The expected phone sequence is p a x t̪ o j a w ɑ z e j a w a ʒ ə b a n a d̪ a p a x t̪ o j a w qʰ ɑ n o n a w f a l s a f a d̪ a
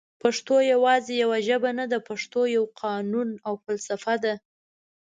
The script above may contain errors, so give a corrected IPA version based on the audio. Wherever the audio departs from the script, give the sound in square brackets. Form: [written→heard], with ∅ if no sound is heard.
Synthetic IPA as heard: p a [x→ʂ] t̪ o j a w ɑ z e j a w a ʒ ə b a n a d̪ a p a [x→ʂ] t̪ o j a w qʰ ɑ n [o→u] n a w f a l s a f a d̪ a